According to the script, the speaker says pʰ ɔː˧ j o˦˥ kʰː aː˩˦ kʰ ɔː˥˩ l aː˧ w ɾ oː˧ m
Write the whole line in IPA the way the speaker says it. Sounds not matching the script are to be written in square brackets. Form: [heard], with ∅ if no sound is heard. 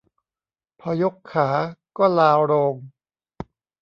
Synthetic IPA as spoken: pʰ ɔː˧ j o˦˥ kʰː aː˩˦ [k] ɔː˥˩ l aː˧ w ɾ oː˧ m